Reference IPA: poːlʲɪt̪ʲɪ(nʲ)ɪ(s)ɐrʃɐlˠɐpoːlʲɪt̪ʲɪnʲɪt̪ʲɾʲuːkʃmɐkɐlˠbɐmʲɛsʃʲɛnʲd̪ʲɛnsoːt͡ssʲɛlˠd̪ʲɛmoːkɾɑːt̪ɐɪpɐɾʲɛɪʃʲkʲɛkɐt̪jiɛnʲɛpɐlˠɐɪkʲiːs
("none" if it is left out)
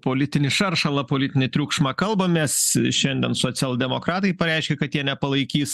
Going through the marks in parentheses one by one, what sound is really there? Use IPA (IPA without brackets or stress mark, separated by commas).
nʲ, ʃ